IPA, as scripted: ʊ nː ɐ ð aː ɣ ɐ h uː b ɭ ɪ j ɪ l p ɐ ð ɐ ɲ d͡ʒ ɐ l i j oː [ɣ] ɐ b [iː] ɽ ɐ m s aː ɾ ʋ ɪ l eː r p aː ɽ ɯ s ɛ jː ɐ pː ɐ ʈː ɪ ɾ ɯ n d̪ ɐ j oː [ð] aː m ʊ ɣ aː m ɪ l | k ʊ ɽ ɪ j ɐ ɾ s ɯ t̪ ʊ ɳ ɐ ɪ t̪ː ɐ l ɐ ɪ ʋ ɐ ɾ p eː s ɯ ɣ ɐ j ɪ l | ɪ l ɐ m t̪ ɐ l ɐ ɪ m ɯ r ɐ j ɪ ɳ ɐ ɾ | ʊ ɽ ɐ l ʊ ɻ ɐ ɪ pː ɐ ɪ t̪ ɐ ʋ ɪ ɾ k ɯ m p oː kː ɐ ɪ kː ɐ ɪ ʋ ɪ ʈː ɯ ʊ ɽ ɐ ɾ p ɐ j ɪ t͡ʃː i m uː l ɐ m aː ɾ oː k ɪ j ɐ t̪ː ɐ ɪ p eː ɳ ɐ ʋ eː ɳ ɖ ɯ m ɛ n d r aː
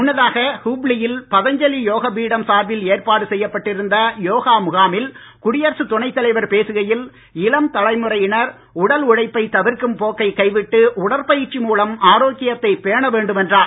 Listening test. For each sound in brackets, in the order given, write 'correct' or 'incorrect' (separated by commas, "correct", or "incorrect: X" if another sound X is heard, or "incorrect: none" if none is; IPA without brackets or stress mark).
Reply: correct, correct, incorrect: ɣ